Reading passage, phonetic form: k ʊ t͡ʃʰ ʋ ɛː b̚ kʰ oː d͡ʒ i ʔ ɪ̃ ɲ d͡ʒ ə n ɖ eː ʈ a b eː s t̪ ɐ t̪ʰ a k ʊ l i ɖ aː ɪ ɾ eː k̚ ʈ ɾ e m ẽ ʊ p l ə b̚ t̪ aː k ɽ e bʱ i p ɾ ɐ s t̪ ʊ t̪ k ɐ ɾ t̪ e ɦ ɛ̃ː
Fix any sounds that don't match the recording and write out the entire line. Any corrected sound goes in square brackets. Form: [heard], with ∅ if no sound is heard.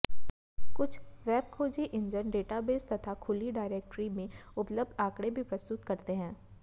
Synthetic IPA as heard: k ʊ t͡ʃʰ ʋ ɛː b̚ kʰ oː d͡ʒ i ʔ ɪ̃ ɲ d͡ʒ ə n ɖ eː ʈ a b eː s t̪ ɐ t̪ʰ a [kʰ] ʊ l i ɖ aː ɪ ɾ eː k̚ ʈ ɾ [i] m ẽ ʊ p l ə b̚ [d̪] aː k ɽ e bʱ i p ɾ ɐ s t̪ ʊ t̪ k ɐ ɾ t̪ e ɦ ɛ̃ː

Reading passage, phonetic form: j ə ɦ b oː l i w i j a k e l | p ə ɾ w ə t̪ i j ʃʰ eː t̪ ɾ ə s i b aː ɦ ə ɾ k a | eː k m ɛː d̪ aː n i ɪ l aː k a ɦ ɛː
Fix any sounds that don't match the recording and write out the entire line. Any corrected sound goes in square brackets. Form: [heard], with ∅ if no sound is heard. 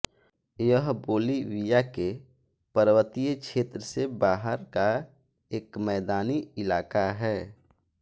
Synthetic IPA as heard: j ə ɦ b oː l i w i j a k e [∅] | p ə ɾ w ə t̪ i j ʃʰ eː t̪ ɾ ə s [e] b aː ɦ ə ɾ k a | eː k m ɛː d̪ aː n i ɪ l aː k a ɦ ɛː

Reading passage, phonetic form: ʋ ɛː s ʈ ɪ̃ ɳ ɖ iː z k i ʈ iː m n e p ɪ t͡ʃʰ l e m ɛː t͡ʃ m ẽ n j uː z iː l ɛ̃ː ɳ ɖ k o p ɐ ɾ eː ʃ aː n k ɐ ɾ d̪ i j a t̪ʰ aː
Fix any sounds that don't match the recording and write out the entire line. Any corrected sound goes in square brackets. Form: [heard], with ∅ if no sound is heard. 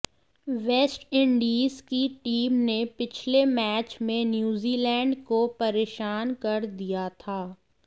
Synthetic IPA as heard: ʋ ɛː s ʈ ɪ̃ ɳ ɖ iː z k i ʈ iː m n e p ɪ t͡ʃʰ l e m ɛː t͡ʃ m ẽ n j uː z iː l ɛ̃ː ɳ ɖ k o p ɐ ɾ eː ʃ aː n k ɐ ɾ d̪ i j a t̪ʰ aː

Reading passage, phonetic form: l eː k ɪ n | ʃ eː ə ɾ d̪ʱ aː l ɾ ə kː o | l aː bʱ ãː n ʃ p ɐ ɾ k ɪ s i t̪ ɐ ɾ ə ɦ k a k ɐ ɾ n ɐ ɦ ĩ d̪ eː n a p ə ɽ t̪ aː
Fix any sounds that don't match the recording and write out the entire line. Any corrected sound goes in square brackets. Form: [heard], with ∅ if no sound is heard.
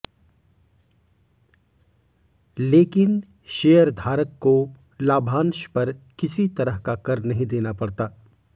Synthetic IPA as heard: l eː k ɪ n | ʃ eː ə ɾ d̪ʱ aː [∅] ɾ ə kː o | l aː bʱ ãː n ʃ p ɐ ɾ k ɪ s i t̪ ɐ ɾ ə ɦ k a k ɐ ɾ n ɐ ɦ ĩ d̪ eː n a p [ɐ] ɽ t̪ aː

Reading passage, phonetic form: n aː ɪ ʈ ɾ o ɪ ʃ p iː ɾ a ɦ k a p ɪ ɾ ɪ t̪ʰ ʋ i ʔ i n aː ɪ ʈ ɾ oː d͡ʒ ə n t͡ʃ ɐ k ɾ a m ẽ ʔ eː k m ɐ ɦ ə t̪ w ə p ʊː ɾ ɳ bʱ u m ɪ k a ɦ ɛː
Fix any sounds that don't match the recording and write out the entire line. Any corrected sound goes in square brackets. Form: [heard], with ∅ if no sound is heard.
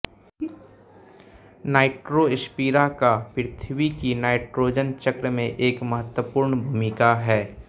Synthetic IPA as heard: n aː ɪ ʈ ɾ o ɪ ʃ p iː ɾ a [∅] k a p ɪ ɾ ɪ t̪ʰ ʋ i [k] i n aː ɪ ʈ ɾ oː d͡ʒ ə n t͡ʃ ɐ k ɾ [ə] m ẽ ʔ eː k m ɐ ɦ ə t̪ w ə p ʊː ɾ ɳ bʱ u m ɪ k a ɦ ɛː

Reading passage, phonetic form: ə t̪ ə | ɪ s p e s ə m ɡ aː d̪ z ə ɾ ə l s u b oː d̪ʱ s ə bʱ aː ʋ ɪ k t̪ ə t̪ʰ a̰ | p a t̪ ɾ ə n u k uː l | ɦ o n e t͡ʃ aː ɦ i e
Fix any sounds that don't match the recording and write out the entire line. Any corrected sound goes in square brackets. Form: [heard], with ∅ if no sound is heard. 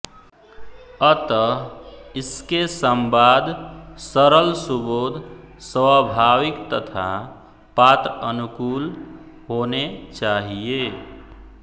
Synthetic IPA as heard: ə t̪ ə | ɪ s [k] e s ə m [b] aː d̪ [s] ə ɾ ə l s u b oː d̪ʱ s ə bʱ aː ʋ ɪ k t̪ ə t̪ʰ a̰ | p a t̪ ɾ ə n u k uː l | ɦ o n e t͡ʃ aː ɦ i e

